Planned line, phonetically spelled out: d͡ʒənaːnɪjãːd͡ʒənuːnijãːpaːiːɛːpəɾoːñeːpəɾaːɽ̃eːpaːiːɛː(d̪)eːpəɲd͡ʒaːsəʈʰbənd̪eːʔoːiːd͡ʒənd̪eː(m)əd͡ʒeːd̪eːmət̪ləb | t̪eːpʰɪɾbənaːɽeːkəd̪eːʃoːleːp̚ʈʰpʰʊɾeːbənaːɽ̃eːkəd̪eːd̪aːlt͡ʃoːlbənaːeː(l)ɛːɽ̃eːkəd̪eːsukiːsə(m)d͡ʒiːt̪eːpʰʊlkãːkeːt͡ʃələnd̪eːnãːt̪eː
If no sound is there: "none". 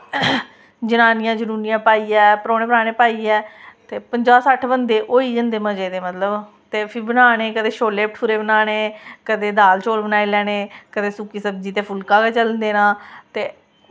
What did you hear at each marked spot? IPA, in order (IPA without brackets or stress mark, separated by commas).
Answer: t̪, m, l, b